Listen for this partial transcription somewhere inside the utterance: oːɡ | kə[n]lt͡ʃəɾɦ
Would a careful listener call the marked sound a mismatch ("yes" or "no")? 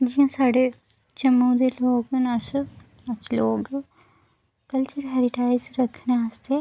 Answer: yes